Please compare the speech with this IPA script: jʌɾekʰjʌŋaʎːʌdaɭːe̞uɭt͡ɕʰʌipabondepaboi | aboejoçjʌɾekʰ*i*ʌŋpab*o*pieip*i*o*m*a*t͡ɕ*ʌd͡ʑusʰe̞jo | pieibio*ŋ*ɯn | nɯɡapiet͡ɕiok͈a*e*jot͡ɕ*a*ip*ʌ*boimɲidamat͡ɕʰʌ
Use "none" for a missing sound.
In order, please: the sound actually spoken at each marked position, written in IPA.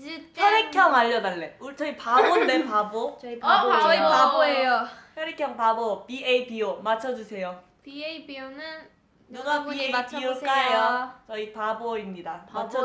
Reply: j, o, i, m, t͡ɕʰ, n, e, ʌ, a

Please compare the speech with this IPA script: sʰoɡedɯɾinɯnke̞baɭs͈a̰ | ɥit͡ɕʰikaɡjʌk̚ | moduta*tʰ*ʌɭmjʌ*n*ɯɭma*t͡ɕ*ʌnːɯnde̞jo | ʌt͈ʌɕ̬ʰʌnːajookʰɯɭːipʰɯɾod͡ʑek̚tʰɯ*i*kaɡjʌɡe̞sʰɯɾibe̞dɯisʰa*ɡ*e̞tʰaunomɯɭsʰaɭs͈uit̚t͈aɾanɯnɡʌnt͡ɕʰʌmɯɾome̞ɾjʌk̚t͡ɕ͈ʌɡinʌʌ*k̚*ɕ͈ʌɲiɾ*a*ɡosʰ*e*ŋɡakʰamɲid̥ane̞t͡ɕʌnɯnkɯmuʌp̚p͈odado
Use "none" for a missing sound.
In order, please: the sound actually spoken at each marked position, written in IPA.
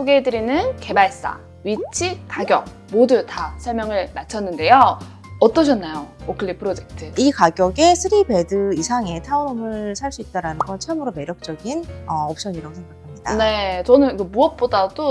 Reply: sʰ, ŋ, t͡ɕʰ, i, ŋ, p̚, a, e

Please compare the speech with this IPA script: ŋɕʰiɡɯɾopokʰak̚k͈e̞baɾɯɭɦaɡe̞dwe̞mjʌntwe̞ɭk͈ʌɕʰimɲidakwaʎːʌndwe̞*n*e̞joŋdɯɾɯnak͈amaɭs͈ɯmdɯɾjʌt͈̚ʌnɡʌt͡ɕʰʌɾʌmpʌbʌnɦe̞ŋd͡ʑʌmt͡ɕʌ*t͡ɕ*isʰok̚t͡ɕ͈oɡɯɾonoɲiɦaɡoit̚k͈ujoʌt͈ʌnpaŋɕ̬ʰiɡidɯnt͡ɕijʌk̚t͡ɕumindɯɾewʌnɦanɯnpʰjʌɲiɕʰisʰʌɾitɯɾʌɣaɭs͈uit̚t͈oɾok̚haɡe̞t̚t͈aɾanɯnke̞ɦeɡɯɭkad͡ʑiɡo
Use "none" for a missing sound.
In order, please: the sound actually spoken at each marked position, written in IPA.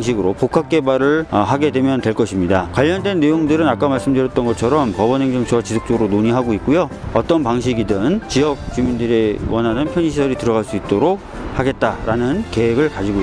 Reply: nː, t͡ɕ

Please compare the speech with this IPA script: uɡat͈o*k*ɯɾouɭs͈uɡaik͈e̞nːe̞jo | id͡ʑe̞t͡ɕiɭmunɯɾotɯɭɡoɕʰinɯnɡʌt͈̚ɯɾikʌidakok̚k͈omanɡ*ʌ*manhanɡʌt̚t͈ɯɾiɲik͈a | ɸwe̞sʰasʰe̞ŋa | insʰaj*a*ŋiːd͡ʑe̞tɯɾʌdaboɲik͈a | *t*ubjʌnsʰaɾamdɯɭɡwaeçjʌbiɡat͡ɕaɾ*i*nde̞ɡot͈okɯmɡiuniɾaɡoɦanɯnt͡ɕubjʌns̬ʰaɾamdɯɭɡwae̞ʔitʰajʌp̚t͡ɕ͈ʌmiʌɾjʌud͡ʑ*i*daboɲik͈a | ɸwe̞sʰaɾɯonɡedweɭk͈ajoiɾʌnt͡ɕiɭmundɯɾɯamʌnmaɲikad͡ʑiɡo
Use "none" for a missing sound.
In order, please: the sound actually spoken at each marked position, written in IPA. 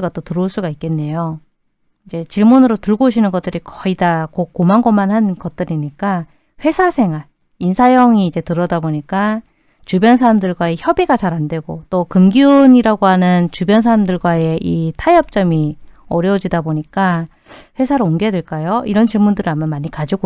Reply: t, ʌ, ʌ, t͡ɕ, a, i

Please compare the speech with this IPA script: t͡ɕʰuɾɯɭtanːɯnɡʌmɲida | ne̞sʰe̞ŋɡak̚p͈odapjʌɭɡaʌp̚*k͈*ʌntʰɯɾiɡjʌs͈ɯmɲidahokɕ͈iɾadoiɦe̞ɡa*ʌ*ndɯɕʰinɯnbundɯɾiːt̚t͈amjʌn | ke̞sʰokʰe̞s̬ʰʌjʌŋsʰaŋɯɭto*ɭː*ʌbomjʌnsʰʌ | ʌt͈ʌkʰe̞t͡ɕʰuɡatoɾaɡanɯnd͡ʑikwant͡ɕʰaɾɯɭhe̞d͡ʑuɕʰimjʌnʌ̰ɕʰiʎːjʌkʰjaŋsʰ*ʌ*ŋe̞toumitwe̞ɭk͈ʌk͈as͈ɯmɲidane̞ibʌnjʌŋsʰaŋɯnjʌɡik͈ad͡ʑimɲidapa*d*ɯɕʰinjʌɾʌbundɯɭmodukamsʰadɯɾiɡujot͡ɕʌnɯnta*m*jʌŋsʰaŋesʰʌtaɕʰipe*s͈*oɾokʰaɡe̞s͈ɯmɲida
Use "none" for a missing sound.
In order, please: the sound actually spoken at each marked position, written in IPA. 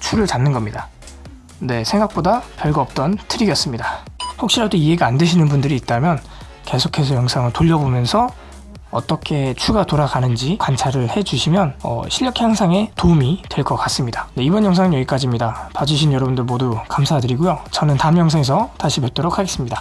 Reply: t͈, a, ʎː, a, d͡ʑ, m, t͈

